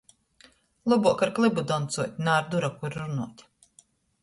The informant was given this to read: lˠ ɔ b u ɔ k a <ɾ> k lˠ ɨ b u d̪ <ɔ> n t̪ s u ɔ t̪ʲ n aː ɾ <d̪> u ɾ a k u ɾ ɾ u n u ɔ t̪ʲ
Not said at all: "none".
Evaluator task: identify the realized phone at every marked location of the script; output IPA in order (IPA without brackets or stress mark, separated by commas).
ɾ, ɔ, d̪